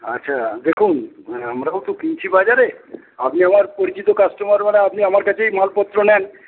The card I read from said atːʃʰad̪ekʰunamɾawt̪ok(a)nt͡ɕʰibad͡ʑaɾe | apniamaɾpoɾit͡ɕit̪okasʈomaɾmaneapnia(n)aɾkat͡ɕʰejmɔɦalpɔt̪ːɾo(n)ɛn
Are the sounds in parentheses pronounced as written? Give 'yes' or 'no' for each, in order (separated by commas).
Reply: no, no, yes